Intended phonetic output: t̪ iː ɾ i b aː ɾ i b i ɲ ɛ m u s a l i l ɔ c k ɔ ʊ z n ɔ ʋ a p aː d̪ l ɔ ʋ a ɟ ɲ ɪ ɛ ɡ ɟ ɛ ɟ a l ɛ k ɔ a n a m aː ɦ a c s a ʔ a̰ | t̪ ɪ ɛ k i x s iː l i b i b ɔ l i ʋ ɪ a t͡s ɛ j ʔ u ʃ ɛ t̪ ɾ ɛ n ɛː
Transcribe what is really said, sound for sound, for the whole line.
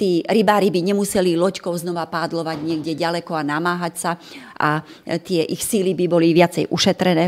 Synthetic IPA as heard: t̪ iː ɾ i b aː ɾ i b i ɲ ɛ m u s ɛ l i l ɔ c k ɔ ʊ z n ɔ ʋ a p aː d̪ l ɔ ʋ a ɟ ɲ ɪ ɛ ɡ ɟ ɛ ɟ a l ɛ k ɔ a n a m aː ɦ a c s a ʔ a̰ | t̪ ɪ ɛ ʔ i x s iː l i b i b ɔ l i ʋ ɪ a t͡s ɛ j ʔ u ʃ ɛ t̪ ɾ ɛ n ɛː